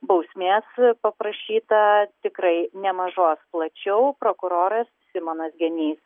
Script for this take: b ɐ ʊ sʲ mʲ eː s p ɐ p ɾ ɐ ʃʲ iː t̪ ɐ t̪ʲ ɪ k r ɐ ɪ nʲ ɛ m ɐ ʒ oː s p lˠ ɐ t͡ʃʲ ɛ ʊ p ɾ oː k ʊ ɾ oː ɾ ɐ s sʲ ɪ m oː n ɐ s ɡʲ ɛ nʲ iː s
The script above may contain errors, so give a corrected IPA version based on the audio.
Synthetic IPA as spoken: b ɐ ʊ sʲ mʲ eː s p ɐ p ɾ ɐ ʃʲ iː t̪ ɐ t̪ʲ ɪ k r ɐ ɪ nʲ ɛ m ɐ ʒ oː s p lˠ ɐ t͡ʃʲ ɛ ʊ p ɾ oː k ʊ ɾ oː ɾ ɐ s sʲ ɪ m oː n ɐ s ɡʲ ɛ nʲ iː s